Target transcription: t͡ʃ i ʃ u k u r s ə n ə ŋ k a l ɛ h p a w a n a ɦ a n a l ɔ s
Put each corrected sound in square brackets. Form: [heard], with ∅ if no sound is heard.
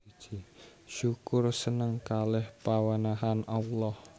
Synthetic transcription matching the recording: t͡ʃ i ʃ u k [ʊ] r s ə n ə ŋ k a l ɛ h p a w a n a ɦ a n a l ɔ [h]